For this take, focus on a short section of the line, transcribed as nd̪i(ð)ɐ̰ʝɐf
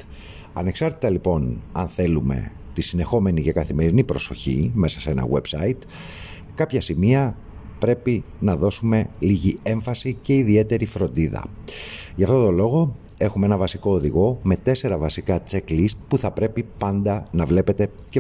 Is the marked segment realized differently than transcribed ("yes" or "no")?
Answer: no